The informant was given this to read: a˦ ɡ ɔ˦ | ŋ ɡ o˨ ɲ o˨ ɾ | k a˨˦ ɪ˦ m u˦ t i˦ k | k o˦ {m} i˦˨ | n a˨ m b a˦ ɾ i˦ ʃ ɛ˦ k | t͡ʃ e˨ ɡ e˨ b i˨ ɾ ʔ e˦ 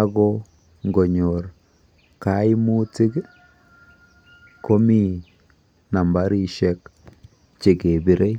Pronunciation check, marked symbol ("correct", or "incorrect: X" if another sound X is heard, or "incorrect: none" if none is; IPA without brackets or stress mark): correct